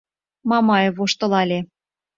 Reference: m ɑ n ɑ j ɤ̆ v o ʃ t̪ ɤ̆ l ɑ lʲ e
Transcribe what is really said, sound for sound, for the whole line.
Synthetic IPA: m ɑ m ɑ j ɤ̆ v o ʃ t̪ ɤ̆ l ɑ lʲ e